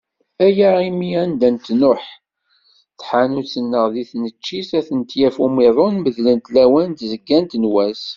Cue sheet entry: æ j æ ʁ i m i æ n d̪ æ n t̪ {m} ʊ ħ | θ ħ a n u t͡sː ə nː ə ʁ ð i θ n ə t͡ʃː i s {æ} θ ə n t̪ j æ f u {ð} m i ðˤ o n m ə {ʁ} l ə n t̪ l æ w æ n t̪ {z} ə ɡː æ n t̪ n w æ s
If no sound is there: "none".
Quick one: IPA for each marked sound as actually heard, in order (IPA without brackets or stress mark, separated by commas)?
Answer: n, æ, none, ð, z